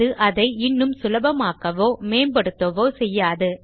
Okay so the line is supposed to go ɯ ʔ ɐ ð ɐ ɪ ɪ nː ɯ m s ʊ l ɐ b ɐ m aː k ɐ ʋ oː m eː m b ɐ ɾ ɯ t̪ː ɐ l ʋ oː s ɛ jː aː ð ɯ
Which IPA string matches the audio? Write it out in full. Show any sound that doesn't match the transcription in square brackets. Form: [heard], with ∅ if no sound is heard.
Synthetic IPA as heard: ɯ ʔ ɐ ð ɐ ɪ ɪ nː ɯ m s ʊ l ɐ b ɐ m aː k ɐ ʋ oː m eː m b ɐ [ɽ] ɯ t̪ː ɐ [∅] ʋ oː s ɛ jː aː ð ɯ